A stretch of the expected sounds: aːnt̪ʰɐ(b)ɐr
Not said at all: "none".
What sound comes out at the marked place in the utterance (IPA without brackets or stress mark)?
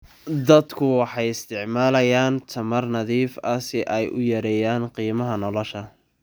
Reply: m